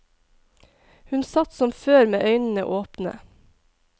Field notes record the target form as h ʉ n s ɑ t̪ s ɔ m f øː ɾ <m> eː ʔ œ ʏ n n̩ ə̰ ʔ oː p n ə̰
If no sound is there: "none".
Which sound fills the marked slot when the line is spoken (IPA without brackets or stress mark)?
m